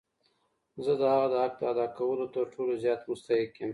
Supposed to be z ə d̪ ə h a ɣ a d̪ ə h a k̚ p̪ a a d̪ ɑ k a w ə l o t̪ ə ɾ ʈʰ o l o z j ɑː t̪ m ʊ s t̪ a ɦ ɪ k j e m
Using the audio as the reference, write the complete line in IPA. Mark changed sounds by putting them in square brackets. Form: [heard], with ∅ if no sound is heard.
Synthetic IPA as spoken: z ə d̪ ə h a ɣ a d̪ ə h a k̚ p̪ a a d̪ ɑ k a w ə l o t̪ ə ɾ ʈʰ o l o z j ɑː t̪ m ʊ s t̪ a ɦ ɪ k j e m